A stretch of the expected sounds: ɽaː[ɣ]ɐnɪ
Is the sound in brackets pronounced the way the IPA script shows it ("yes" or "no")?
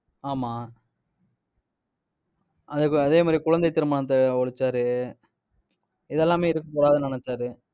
no